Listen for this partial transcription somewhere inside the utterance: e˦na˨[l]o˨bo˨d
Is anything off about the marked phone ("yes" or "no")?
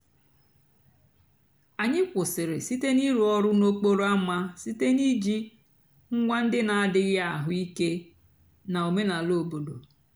no